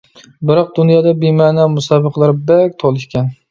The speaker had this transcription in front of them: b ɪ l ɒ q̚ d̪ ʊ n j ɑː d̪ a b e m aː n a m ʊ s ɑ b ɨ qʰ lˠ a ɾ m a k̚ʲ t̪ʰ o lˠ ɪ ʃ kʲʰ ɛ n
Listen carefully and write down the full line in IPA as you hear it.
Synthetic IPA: b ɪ ɾ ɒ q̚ d̪ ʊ n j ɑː d̪ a b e m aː n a m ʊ s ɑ b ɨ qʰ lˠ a ɾ b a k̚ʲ t̪ʰ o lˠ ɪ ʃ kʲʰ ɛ n